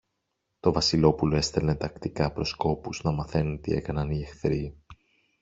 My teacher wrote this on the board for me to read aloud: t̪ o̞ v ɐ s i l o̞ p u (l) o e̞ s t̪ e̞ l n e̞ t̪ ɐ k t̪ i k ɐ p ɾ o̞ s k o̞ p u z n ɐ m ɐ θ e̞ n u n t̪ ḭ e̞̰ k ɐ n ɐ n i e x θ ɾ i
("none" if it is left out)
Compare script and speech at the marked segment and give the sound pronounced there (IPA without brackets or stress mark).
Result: l